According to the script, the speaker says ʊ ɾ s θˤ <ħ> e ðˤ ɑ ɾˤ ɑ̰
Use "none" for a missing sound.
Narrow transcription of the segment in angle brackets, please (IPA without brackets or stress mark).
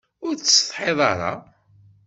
ħ